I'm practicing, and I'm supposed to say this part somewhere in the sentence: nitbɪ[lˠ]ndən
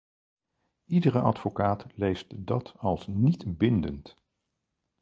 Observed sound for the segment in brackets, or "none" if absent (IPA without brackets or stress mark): none